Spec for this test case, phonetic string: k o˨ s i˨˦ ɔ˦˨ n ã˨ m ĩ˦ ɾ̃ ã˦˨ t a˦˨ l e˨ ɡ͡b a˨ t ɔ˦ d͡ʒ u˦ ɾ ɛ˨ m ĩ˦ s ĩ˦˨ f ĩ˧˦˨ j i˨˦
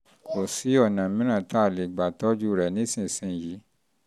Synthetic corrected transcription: k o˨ s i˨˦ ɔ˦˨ n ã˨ m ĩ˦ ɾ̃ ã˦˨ t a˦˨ l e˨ ɡ͡b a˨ t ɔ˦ d͡ʒ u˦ ɾ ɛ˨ n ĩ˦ s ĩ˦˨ s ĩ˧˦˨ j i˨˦